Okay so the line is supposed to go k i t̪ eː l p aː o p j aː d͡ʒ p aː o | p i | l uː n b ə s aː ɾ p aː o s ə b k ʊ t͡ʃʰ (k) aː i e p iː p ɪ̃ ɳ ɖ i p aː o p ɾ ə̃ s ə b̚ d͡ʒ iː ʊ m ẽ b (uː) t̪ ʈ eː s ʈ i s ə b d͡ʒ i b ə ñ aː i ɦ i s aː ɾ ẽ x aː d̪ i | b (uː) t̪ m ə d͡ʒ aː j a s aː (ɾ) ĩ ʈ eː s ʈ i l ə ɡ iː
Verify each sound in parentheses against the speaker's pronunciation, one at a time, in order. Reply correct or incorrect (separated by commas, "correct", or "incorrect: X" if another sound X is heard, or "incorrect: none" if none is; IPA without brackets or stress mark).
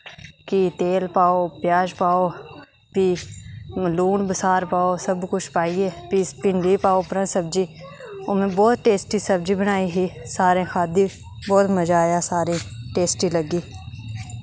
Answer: incorrect: p, incorrect: ɔː, incorrect: ɔː, correct